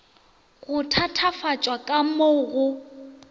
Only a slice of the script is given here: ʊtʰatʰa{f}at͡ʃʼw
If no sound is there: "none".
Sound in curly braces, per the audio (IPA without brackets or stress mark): f